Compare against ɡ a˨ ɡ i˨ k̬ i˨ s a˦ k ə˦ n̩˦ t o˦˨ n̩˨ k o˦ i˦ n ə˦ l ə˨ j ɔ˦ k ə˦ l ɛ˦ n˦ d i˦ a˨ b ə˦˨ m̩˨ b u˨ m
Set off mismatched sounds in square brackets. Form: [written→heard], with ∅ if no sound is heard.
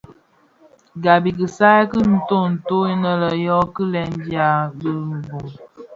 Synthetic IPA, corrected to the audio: ɡ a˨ [ɡ→b] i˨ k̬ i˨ s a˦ k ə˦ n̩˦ t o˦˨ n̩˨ [k→t] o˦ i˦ n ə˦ l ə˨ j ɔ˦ k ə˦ l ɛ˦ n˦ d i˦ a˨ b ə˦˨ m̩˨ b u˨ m